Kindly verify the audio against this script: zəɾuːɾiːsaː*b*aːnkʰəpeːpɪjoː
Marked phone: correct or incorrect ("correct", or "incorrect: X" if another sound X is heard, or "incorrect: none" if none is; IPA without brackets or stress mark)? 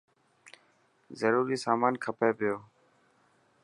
incorrect: m